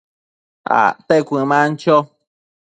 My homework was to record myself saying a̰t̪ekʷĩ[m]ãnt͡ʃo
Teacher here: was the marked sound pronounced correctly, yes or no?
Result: yes